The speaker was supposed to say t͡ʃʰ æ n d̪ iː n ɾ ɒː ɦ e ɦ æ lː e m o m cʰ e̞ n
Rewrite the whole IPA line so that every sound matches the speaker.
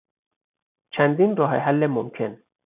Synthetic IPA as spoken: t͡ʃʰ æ n d̪ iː n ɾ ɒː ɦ e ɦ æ lː e m o m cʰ e̞ n